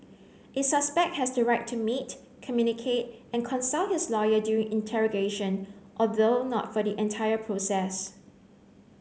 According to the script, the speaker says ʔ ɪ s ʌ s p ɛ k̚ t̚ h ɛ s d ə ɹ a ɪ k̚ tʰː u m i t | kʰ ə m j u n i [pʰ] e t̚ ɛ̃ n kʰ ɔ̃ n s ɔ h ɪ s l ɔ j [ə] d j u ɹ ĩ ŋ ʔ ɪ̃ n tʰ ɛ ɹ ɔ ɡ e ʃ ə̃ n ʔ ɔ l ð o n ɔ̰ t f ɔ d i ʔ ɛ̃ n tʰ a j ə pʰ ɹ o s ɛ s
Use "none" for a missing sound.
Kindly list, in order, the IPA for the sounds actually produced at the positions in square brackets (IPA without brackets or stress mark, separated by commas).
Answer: kʰ, ə